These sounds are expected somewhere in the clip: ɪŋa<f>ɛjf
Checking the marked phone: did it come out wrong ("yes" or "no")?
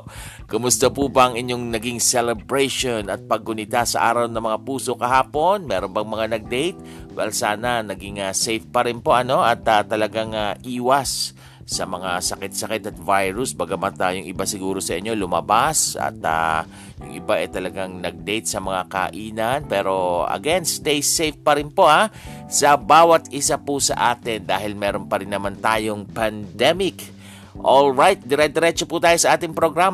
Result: yes